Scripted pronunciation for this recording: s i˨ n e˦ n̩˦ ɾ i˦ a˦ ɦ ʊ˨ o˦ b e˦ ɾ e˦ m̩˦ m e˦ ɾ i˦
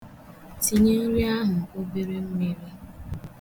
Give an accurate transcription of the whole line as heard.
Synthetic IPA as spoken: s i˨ ɲ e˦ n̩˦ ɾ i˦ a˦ ɦ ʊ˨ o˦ b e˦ ɾ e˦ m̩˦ m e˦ ɾ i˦